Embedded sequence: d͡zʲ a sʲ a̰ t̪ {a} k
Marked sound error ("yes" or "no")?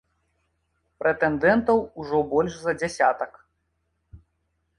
yes